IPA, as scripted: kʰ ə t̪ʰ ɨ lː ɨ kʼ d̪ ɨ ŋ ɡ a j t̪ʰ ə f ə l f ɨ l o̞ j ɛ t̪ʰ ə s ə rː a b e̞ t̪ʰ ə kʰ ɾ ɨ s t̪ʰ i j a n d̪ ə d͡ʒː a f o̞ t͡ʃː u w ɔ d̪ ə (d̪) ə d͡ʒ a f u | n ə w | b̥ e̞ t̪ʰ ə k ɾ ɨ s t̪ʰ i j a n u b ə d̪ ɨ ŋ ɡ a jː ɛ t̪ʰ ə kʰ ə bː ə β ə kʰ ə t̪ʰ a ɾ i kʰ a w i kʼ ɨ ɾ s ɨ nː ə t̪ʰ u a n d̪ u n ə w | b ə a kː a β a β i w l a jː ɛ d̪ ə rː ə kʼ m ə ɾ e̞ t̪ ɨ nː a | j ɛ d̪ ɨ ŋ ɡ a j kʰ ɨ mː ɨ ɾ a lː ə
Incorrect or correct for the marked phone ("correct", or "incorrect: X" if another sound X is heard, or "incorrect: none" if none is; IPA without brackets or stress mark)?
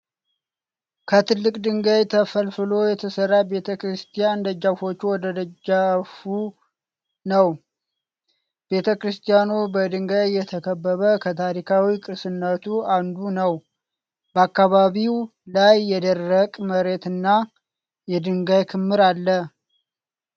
correct